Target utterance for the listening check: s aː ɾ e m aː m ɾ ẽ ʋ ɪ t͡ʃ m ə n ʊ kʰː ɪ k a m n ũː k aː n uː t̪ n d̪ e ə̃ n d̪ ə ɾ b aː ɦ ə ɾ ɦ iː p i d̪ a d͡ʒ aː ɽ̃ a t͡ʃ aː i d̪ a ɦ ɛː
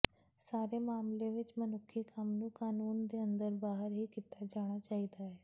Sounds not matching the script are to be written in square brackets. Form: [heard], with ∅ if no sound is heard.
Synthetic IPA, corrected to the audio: s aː ɾ e m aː m [l] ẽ ʋ ɪ t͡ʃ m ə n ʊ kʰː [i] k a m n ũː k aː n uː [∅] n d̪ e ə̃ n d̪ ə ɾ b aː ɦ ə ɾ ɦ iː [k] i [t̪] a d͡ʒ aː ɽ̃ a t͡ʃ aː i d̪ a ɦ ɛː